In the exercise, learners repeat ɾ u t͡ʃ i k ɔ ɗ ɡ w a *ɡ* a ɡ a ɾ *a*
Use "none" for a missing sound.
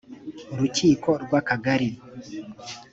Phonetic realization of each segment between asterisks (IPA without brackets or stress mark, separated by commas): k, i